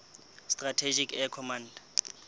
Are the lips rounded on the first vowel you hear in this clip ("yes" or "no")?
no